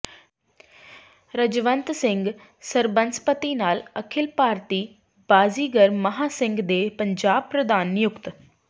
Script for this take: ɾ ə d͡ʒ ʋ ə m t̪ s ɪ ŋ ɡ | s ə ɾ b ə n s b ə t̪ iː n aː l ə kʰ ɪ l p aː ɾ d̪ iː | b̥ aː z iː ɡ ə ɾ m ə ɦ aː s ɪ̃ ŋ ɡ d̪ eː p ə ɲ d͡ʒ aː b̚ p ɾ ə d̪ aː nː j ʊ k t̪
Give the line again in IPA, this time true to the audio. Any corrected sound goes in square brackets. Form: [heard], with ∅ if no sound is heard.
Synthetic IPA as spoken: ɾ ə d͡ʒ ʋ ə [n] t̪ s ɪ ŋ ɡ | s ə ɾ b ə n s [p] ə t̪ iː n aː l ə kʰ ɪ l p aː ɾ [t̪] iː | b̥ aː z iː ɡ ə ɾ m ə ɦ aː s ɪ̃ ŋ ɡ d̪ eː p ə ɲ d͡ʒ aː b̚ p ɾ ə d̪ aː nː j ʊ k t̪